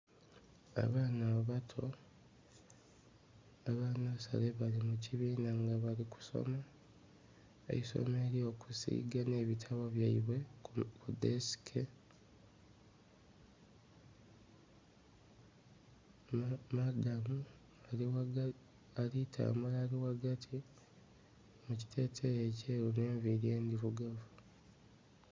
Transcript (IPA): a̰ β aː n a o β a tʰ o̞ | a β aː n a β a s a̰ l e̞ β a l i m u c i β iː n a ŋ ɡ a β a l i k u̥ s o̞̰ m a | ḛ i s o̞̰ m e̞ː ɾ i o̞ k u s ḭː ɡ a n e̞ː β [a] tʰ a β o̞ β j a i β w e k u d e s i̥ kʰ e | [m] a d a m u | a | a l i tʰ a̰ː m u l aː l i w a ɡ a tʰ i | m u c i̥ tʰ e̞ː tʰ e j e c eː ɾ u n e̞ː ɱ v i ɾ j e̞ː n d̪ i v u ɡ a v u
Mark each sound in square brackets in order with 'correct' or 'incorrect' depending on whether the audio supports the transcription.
incorrect, correct

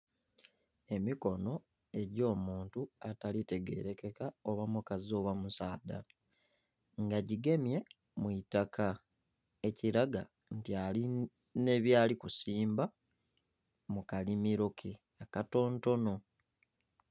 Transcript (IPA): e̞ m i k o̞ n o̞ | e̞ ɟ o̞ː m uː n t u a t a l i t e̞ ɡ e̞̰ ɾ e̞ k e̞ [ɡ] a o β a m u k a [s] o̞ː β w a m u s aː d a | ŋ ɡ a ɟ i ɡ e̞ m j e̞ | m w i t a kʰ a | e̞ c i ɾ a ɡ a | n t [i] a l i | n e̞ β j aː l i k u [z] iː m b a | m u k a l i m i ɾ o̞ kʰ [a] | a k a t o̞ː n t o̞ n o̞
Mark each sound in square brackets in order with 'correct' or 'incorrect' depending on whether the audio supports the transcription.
incorrect, incorrect, correct, incorrect, incorrect

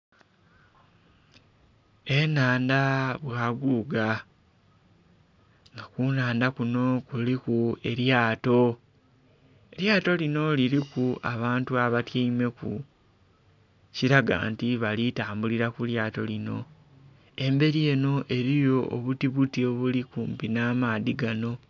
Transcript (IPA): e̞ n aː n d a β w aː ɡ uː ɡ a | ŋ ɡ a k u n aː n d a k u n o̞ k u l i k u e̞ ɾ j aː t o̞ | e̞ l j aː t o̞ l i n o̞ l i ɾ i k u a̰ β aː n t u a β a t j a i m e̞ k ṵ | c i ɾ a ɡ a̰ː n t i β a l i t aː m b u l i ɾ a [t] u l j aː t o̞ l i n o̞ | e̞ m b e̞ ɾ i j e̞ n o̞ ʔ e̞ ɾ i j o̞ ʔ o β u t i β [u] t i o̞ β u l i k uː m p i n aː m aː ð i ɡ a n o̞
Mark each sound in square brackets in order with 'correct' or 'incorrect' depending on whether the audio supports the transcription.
incorrect, correct

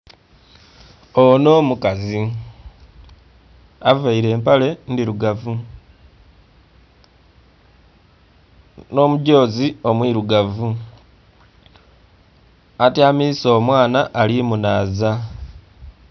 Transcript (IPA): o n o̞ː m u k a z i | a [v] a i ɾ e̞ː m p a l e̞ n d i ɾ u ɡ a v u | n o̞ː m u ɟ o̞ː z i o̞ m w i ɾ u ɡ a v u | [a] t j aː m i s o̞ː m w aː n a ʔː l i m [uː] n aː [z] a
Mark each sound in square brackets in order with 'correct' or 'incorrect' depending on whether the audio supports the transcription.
correct, correct, incorrect, correct

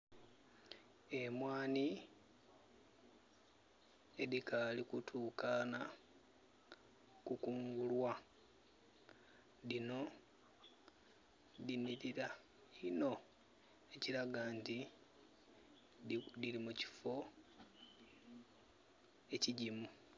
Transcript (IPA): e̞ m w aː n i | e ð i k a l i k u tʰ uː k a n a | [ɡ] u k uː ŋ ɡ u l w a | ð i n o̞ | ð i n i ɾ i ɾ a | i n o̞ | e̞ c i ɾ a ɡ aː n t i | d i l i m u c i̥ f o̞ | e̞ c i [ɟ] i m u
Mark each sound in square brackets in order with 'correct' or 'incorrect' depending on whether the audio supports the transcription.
incorrect, correct

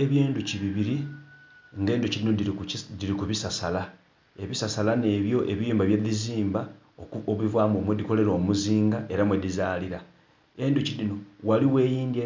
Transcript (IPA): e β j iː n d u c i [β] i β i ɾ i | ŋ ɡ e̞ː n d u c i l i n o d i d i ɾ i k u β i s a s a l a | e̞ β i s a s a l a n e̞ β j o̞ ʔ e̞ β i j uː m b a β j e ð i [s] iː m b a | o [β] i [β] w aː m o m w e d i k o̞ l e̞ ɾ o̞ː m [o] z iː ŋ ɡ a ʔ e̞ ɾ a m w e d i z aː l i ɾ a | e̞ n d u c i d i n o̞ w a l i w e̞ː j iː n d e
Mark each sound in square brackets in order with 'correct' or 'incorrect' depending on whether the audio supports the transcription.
correct, incorrect, correct, incorrect, incorrect

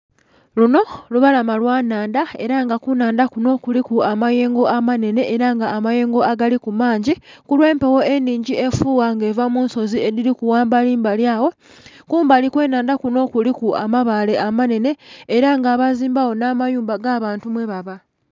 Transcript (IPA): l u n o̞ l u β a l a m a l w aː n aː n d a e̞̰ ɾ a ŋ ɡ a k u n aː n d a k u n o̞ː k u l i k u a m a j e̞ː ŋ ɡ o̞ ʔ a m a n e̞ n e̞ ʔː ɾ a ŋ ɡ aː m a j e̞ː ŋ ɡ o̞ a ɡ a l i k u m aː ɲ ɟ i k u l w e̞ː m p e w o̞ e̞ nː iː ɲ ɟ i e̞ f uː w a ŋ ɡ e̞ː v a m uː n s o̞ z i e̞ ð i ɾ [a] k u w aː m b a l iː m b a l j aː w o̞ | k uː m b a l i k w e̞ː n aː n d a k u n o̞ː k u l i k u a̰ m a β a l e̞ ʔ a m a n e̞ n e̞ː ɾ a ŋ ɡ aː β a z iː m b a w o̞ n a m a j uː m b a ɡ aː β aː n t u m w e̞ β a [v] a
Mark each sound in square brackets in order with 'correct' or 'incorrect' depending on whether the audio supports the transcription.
incorrect, incorrect

